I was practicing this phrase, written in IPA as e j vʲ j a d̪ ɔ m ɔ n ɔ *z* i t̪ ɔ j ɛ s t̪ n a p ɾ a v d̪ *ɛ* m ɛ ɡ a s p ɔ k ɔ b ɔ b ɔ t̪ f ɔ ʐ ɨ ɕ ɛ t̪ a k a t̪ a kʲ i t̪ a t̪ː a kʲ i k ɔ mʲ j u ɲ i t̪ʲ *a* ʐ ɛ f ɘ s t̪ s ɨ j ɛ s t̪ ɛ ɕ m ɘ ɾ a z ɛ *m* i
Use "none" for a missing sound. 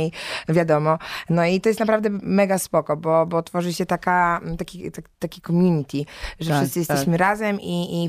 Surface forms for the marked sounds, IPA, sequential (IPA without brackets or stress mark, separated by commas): none, ɛ, i, m